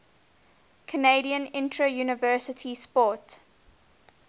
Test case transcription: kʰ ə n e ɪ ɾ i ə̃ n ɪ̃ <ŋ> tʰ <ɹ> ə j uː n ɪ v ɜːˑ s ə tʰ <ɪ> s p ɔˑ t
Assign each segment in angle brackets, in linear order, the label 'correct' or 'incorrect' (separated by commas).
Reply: incorrect, correct, incorrect